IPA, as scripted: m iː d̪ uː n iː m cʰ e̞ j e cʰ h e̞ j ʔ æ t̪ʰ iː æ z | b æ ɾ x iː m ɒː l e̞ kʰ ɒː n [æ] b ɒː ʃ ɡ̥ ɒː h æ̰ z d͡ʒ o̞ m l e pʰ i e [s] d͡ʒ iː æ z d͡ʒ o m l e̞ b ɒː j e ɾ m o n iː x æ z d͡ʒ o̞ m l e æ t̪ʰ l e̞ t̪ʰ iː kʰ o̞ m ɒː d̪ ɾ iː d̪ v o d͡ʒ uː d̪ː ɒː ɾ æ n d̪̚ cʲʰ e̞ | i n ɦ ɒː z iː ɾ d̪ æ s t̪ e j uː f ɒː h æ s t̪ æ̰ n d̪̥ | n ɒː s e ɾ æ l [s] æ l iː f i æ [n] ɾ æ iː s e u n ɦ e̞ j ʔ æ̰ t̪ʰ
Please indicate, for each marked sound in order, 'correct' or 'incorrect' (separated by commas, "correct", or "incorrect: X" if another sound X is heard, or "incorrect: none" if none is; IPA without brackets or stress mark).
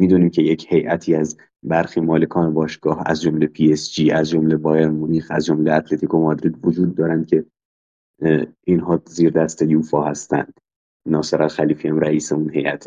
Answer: incorrect: e, correct, incorrect: x, incorrect: m